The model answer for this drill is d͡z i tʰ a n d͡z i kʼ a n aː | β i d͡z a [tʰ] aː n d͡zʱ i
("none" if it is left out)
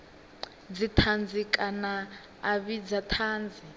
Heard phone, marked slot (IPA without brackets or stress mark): tʰ